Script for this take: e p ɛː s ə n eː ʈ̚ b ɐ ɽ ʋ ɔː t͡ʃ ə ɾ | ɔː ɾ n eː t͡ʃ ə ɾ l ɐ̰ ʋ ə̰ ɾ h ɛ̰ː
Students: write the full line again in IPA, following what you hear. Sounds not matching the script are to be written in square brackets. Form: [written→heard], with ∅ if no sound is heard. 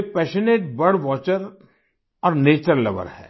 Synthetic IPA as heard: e p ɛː [s→ʃ] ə n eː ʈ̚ b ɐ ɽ ʋ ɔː t͡ʃ ə ɾ | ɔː ɾ n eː t͡ʃ ə ɾ l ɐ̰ ʋ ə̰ ɾ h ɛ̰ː